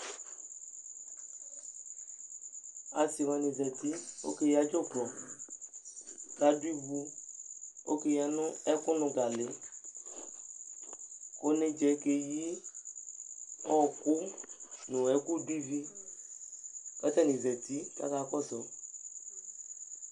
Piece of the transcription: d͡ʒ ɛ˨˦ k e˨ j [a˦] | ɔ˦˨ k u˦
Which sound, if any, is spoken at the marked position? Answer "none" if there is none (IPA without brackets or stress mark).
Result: i˦